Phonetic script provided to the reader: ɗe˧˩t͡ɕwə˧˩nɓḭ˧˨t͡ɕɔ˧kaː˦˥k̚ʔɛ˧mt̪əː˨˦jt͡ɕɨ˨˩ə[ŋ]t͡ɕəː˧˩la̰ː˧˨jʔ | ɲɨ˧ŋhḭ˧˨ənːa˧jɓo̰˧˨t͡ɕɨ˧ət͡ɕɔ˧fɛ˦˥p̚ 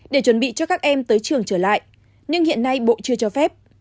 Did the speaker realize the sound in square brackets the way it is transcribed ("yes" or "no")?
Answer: yes